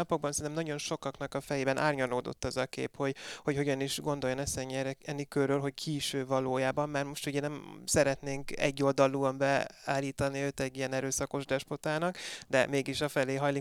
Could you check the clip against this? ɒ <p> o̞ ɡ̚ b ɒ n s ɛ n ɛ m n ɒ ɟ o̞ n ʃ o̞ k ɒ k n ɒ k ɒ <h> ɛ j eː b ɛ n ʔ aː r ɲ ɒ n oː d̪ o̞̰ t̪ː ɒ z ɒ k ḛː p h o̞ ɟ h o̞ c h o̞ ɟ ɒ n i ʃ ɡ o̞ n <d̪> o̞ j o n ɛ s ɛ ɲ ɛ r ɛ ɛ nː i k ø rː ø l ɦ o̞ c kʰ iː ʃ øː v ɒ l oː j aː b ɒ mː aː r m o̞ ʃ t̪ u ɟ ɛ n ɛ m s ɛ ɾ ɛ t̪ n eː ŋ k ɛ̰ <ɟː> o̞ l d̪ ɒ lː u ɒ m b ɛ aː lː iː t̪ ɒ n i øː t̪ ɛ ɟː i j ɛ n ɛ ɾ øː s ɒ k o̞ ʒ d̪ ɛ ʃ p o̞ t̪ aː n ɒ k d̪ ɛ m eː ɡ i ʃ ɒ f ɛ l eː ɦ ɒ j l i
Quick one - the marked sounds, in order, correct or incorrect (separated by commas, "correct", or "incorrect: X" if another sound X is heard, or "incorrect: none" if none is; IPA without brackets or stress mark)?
correct, incorrect: f, correct, correct